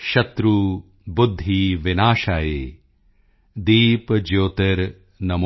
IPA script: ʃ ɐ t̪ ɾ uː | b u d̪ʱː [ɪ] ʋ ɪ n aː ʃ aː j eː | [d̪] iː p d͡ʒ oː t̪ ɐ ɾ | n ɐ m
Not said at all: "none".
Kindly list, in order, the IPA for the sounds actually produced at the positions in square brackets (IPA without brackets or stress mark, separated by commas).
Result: i, d̪